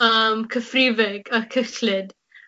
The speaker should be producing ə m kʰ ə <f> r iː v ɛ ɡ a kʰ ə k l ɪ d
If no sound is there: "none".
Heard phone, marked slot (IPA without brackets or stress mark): f